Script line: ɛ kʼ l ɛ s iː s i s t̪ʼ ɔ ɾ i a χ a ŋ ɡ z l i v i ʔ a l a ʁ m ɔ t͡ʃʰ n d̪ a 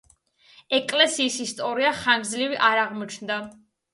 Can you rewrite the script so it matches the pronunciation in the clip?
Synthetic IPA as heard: ɛ kʼ l ɛ s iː s i s t̪ʼ ɔ ɾ i a χ a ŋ ɡ z l i v i ʔ a ɾ a ʁ m ɔ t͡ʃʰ n d̪ a